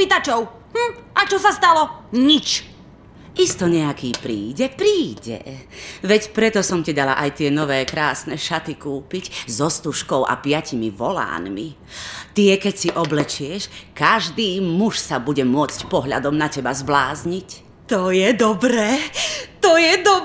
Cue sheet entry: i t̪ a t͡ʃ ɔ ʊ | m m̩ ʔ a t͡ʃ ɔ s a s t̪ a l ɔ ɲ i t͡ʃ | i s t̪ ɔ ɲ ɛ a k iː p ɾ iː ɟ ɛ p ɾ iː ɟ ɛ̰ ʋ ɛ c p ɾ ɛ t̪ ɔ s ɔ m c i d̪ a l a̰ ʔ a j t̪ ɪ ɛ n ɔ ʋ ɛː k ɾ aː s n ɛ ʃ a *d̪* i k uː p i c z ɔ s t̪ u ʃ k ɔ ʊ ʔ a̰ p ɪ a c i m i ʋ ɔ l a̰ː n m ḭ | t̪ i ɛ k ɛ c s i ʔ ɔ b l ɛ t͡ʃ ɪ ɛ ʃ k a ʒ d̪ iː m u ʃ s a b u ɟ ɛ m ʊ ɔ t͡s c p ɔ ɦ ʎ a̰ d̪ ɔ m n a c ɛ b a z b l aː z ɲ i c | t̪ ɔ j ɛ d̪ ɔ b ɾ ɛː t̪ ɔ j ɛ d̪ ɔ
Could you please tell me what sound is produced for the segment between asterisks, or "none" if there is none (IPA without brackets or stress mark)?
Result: t̪